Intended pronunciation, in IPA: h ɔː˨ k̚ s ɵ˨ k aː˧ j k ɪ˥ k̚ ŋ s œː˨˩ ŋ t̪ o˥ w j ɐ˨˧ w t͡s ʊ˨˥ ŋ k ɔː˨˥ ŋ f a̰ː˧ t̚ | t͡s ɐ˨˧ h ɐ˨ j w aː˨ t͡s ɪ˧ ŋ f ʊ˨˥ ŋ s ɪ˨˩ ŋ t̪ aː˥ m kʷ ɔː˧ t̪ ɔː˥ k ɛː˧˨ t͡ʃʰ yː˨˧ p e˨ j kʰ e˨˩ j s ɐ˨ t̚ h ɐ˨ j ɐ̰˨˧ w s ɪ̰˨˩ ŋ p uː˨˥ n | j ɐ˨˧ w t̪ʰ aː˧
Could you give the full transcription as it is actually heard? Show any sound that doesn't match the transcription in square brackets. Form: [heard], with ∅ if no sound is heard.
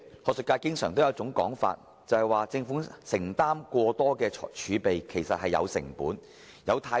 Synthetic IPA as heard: h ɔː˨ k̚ s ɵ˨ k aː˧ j k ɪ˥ [∅] ŋ s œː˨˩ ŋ t̪ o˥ w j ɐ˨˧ w t͡s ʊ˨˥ ŋ k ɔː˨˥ ŋ f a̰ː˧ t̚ | t͡s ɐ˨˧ h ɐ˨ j w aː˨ t͡s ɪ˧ ŋ f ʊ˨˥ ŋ s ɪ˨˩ ŋ t̪ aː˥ m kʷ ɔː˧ t̪ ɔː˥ k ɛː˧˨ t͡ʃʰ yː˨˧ p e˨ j kʰ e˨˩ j s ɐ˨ t̚ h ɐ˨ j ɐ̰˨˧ w s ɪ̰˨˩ ŋ p uː˨˥ n | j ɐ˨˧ w t̪ʰ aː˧